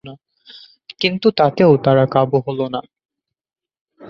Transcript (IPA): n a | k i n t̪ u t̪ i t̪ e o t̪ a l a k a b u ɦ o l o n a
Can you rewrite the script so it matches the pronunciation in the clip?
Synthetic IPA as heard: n a | k i n t̪ u t̪ a t̪ e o t̪ a ɾ a k a b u ɦ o l o n a